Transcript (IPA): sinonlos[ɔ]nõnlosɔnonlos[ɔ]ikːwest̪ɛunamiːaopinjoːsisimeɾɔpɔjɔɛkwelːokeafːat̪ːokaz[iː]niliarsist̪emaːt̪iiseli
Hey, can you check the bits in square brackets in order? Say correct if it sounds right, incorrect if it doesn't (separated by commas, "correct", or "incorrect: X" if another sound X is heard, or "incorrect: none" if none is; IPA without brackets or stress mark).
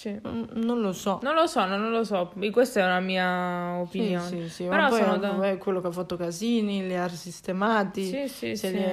correct, correct, correct